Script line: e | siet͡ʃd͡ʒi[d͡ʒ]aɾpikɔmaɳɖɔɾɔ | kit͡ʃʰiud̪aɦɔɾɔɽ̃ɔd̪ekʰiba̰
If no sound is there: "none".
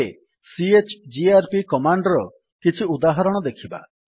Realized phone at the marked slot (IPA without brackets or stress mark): none